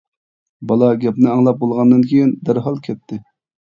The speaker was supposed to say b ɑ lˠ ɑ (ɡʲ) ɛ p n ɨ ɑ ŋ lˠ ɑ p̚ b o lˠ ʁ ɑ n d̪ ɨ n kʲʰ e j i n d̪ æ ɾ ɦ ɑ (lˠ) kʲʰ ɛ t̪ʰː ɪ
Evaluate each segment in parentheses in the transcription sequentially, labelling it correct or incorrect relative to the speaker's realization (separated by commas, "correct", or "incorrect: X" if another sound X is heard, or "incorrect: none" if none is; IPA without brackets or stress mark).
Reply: correct, correct